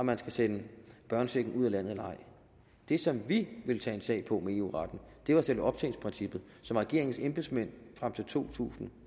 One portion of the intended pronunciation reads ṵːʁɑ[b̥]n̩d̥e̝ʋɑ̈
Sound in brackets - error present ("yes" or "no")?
yes